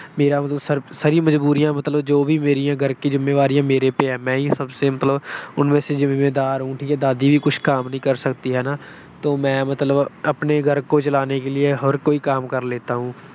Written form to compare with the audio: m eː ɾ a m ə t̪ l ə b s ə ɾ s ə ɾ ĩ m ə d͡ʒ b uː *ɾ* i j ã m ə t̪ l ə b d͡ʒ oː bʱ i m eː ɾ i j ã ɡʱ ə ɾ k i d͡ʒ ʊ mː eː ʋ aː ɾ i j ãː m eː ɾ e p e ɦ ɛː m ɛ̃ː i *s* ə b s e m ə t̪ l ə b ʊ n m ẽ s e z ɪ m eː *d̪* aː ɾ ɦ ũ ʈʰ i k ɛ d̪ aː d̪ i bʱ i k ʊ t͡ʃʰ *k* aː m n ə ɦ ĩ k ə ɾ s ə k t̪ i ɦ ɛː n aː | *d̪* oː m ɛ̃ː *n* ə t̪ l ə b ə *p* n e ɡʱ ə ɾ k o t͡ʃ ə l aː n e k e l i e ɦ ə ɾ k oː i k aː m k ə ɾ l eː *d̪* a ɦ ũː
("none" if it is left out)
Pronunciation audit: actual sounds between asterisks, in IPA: ɾ, s, d̪, k, t̪, m, p, t̪

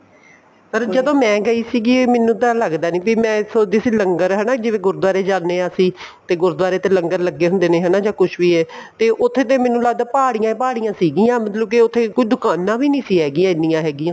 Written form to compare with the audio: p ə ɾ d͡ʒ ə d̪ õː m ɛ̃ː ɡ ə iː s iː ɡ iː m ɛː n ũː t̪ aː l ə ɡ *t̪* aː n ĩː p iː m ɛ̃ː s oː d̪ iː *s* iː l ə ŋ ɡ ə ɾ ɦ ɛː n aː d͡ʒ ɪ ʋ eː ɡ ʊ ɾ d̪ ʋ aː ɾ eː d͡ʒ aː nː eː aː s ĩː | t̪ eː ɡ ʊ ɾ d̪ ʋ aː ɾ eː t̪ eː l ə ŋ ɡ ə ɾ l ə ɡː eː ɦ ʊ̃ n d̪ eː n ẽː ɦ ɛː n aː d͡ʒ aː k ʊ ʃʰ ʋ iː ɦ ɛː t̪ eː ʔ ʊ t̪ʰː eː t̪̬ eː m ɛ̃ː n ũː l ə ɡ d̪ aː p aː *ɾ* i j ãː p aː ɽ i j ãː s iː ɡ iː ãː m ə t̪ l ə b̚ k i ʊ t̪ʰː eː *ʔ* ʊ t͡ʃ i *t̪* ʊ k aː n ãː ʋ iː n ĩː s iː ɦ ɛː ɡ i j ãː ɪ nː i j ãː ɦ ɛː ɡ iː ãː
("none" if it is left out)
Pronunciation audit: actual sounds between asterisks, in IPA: d̪, s, ɽ, k, d̪

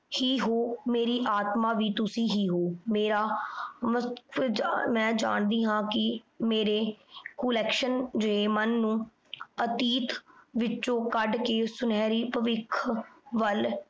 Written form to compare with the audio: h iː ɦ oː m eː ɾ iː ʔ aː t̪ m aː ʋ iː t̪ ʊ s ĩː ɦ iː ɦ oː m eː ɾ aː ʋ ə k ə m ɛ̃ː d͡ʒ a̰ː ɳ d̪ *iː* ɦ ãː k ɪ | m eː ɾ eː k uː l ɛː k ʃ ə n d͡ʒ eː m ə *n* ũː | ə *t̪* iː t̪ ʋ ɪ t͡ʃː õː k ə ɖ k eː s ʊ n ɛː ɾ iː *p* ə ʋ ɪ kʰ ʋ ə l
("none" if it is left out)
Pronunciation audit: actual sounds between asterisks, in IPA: iː, nː, t̪, p

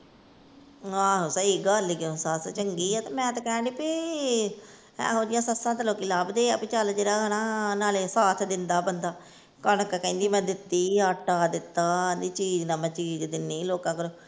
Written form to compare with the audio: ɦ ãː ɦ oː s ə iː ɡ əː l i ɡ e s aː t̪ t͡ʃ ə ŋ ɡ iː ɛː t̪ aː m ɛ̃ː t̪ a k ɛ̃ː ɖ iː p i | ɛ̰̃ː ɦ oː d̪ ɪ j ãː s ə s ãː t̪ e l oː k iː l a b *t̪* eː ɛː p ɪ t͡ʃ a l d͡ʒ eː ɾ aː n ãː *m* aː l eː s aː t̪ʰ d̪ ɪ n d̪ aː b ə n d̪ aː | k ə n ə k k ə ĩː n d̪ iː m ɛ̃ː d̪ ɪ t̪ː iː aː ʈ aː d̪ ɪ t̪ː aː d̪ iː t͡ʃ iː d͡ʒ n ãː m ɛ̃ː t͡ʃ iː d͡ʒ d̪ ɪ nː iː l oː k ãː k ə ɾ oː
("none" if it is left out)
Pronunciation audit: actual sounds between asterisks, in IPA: d̪, n

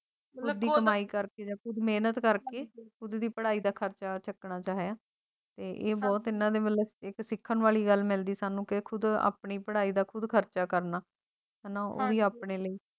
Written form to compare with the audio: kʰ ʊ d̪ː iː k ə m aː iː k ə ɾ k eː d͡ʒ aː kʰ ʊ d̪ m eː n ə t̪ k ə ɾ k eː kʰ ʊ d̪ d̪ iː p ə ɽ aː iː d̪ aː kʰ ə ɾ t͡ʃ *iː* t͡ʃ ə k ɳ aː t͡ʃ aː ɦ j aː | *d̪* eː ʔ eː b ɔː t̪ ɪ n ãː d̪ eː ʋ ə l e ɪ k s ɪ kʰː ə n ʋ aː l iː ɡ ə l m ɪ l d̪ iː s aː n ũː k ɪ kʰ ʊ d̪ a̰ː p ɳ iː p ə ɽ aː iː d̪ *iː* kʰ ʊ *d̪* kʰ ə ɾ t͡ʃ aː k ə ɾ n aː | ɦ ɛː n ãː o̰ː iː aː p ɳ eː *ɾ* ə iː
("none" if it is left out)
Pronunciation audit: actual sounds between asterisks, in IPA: aː, t̪, aː, d̪, l

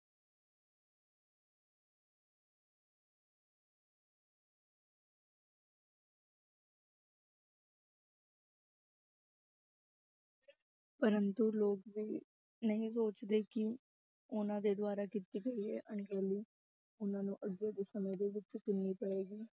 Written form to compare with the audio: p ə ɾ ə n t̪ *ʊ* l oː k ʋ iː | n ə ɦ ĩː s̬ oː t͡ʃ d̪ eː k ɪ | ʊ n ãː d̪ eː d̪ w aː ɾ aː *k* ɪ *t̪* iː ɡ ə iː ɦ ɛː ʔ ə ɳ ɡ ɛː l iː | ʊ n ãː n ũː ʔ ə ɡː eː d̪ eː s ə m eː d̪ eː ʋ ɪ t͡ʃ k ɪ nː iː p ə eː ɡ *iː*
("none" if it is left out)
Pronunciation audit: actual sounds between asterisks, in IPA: u, k, t̪, iː

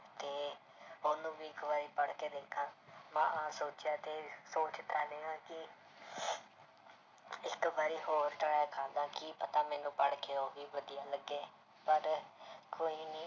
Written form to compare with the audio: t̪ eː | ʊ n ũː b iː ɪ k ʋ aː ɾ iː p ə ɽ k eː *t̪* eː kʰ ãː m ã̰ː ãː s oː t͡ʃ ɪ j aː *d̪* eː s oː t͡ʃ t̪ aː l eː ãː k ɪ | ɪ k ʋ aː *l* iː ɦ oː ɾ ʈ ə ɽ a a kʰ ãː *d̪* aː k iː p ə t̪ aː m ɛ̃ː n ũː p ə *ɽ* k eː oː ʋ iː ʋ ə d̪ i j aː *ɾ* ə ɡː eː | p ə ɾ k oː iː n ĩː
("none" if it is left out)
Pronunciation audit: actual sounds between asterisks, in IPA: d̪, t̪, ɾ, d̪, ɽ, l

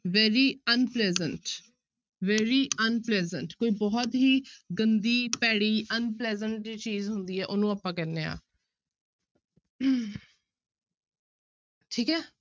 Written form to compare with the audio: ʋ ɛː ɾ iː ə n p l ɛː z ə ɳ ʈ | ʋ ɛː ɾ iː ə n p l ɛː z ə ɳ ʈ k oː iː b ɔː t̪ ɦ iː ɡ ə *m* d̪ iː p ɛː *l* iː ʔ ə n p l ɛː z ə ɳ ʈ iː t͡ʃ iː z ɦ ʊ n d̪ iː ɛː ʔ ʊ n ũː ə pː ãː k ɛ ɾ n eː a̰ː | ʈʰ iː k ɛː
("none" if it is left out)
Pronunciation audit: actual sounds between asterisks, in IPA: n, ɽ

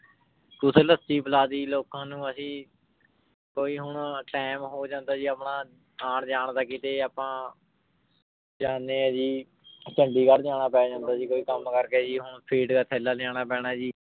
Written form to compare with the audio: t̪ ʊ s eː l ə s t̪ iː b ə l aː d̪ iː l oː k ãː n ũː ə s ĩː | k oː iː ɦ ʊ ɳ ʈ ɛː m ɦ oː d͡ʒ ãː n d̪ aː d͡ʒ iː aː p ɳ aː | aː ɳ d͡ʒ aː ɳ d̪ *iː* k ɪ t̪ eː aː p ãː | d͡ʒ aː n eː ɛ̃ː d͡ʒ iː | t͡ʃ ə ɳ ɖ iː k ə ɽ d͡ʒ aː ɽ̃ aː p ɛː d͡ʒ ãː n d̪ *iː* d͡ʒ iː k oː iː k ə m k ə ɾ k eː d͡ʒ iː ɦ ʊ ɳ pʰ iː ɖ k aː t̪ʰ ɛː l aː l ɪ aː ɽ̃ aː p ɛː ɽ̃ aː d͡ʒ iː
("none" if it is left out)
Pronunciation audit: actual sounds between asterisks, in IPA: aː, aː

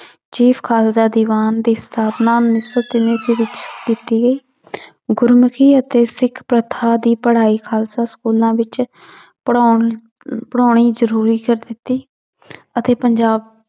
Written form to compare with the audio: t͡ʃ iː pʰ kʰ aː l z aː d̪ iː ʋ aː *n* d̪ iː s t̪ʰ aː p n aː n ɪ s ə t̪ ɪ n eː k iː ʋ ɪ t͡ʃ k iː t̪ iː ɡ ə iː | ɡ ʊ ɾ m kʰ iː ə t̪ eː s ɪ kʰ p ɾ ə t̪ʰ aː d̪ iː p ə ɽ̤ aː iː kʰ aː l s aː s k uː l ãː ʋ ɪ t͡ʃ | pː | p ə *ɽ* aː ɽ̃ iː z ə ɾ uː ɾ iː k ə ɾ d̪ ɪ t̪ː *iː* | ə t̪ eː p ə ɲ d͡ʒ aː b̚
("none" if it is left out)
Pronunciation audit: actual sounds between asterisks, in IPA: n, ɽ, iː

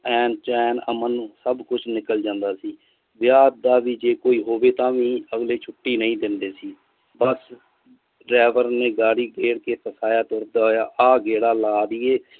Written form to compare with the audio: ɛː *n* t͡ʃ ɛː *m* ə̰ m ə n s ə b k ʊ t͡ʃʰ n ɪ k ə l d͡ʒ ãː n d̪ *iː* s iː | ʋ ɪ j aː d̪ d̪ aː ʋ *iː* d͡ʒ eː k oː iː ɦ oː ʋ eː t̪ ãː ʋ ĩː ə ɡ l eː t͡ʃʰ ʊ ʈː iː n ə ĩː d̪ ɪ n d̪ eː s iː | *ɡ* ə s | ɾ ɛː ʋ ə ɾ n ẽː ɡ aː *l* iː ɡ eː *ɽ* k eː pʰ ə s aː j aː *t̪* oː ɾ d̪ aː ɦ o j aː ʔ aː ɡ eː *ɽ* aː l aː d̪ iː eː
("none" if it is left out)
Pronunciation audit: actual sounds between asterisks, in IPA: n, n, aː, iː, b, ɽ, ɽ, t̪, ɽ

